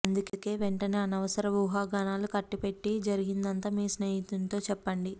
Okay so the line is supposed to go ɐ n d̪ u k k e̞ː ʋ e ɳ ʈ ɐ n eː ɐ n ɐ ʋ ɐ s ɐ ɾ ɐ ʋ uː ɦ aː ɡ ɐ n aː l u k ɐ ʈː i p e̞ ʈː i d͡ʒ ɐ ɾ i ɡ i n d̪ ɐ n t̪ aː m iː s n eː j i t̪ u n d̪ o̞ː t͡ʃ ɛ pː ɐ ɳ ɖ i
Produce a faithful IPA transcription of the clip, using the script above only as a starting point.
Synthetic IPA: ɐ n d̪ u k k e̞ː ʋ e ɳ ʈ ɐ n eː ɐ n ɐ ʋ ɐ s ɐ ɾ ɐ ʋ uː ɦ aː ɡ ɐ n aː l u k ɐ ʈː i p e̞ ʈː i d͡ʒ ɐ ɾ i ɡ i n d̪ ɐ n t̪ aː m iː s n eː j i t̪ u n t̪ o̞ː t͡ʃ ɛ pː ɐ ɳ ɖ i